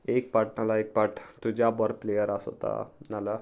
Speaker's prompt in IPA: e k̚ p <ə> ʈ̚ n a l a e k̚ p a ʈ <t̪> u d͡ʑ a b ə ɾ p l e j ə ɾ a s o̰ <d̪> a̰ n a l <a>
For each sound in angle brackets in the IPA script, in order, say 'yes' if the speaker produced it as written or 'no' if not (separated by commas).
no, yes, no, yes